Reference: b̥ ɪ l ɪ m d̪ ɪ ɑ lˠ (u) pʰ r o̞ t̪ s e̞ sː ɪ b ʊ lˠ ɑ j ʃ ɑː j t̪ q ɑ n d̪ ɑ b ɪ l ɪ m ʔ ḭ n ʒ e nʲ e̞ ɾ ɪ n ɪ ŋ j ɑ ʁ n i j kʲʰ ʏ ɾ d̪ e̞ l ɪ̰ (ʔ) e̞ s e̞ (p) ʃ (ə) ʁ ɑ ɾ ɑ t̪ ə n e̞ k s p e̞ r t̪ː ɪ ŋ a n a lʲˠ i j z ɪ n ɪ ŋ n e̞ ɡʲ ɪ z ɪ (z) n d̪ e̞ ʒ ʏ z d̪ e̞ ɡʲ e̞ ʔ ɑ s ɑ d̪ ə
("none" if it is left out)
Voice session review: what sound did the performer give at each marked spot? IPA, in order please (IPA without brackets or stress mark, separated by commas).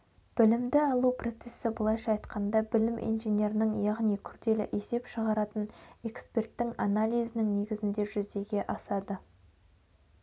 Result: u, ʔ, p, ə, none